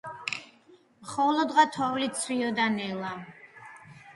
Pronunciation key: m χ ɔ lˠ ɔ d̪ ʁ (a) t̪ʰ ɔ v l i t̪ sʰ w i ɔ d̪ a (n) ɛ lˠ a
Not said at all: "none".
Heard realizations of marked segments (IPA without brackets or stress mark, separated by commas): a, n